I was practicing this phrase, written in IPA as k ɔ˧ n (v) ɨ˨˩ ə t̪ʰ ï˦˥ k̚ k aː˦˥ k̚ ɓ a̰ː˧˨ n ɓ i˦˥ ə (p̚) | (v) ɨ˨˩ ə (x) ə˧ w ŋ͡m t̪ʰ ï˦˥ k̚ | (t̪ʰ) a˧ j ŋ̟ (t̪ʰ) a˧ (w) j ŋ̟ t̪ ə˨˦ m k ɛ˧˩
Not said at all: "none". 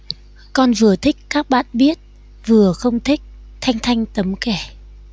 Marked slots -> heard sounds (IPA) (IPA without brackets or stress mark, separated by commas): v, t̚, v, x, t̪ʰ, t̪ʰ, none